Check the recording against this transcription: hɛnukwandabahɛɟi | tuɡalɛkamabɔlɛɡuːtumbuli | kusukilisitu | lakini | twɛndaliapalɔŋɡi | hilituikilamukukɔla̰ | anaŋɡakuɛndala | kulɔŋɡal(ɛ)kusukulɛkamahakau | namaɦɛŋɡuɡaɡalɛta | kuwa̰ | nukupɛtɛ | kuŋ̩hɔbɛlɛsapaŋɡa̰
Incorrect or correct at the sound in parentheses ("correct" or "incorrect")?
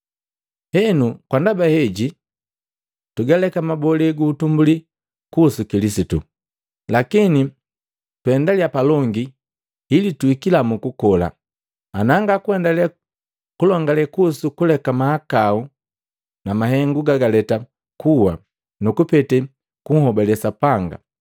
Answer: correct